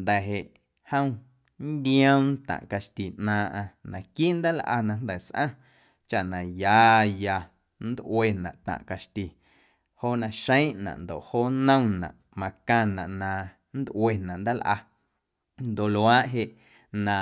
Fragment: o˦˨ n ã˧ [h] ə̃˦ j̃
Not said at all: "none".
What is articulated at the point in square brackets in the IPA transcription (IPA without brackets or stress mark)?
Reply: ʃ